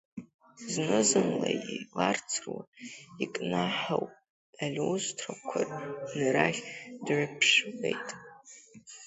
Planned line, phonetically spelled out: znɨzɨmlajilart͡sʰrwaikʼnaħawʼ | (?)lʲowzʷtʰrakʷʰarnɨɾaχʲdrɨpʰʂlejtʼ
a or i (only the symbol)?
a